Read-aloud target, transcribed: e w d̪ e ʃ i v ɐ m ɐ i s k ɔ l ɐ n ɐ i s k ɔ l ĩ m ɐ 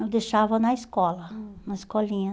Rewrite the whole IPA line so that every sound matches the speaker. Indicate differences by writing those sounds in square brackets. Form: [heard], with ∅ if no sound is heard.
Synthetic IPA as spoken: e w d̪ e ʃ [a] v ɐ [n] ɐ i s k ɔ l ɐ n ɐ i s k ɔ l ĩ [ɲ] ɐ